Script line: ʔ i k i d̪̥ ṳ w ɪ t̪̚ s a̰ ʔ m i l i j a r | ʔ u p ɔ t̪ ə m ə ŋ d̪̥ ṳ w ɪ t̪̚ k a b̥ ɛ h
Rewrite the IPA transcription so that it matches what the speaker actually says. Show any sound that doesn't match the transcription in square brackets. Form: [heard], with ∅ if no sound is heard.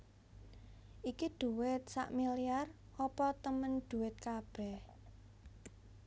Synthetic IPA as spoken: ʔ i k i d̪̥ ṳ w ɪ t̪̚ s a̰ ʔ m i l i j a r | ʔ [ɔ] p ɔ t̪ ə m ə [n] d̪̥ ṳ w ɪ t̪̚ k a b̥ ɛ h